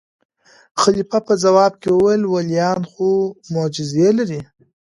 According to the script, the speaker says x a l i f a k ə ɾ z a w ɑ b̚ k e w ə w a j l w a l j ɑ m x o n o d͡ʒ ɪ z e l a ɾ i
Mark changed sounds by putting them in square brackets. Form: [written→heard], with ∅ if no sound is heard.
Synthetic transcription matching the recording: x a l i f a [k→p] ə [ɾ→∅] z a w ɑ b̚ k e w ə w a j l w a l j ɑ [m→n] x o [n→m] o d͡ʒ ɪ z e l a ɾ i